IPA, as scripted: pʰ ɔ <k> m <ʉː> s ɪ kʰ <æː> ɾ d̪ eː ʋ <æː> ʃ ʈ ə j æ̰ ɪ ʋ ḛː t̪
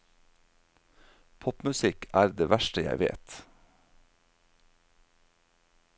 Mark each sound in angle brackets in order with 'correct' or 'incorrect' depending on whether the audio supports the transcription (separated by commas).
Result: incorrect, incorrect, correct, incorrect